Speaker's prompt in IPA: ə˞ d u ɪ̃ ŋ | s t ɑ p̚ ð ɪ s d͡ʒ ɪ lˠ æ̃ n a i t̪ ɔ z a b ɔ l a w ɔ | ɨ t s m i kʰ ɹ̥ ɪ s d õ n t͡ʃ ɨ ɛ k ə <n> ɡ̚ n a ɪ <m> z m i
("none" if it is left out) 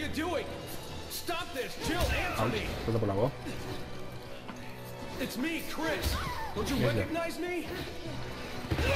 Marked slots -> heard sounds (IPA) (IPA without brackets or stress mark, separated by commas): none, none